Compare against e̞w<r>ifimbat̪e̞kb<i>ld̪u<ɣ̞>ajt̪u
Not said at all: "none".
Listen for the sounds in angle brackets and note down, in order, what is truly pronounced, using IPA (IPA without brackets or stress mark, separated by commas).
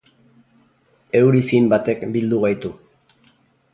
ɾ, i, ɣ̞